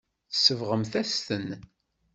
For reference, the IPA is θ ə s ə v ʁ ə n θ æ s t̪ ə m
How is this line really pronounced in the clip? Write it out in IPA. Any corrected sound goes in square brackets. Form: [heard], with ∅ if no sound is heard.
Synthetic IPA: θ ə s ə v ʁ ə [m] θ æ s t̪ ə [n]